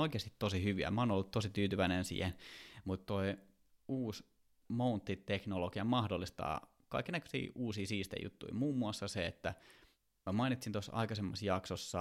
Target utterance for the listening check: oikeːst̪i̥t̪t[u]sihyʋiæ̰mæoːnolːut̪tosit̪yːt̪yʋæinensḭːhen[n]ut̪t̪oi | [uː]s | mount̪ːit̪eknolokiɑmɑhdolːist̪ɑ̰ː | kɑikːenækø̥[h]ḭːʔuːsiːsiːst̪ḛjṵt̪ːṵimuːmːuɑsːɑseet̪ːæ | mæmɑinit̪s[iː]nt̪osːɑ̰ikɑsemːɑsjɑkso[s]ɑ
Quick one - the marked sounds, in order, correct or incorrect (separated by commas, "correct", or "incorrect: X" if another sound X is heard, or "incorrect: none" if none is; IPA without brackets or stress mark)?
incorrect: o, incorrect: m, correct, incorrect: s, incorrect: i, incorrect: sː